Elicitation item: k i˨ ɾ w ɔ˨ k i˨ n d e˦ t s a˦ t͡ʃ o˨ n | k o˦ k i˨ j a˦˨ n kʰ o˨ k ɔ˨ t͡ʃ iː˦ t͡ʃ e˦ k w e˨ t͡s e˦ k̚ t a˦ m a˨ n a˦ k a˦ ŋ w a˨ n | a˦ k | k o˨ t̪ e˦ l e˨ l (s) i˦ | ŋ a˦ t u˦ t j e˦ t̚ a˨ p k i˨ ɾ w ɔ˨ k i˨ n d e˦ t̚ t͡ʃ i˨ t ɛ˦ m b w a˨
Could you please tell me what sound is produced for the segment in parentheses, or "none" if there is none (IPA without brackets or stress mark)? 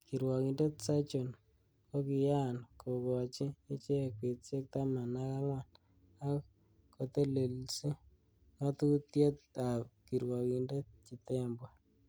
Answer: s